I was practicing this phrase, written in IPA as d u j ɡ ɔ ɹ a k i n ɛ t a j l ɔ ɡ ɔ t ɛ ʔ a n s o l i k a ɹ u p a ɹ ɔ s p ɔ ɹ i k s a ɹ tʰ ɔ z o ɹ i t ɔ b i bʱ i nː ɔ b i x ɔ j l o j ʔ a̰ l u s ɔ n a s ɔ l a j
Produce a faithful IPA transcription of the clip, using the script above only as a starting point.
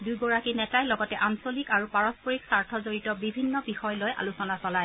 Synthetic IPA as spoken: d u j ɡ ɔ ɹ a k i n ɛ t a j l ɔ ɡ ɔ t ɛ ʔ a n s o l i k a ɹ u p a ɹ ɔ s p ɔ ɹ i k s a ɹ tʰ ɔ z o ɹ i t ɔ b i bʱ i nː ɔ b i x ɔ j l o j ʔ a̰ l u s ɔ n a s ɔ l a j